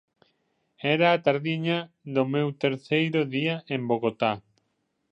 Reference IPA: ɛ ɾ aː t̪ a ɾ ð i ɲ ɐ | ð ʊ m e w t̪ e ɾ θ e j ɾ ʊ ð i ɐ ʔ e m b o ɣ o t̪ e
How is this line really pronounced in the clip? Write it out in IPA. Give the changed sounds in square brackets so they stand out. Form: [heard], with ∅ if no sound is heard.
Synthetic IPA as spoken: ɛ ɾ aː t̪ a ɾ ð i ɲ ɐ | ð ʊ m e w t̪ e ɾ θ e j ɾ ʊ ð i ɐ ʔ e m b o ɣ o t̪ [a]